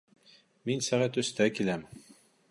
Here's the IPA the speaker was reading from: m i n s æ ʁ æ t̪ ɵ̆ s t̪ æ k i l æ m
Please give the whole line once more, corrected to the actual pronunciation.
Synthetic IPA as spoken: m i n s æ ʁ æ t̪ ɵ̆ s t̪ æ k i l æ m